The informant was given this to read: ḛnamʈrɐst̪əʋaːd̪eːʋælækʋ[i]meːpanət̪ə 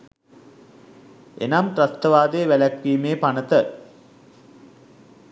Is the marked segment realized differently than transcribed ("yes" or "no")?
yes